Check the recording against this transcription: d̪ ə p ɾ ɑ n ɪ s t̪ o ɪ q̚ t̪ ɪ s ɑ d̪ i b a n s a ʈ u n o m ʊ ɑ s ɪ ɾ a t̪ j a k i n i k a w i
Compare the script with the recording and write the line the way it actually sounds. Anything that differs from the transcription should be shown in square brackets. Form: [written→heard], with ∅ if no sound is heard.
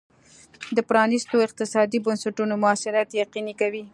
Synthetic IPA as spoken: d̪ ə p ɾ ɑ n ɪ s t̪ o ɪ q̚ t̪ ɪ s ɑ d̪ i b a n s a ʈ u n o m ʊ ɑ s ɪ ɾ a t̪ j a [k→q] i n i k a w i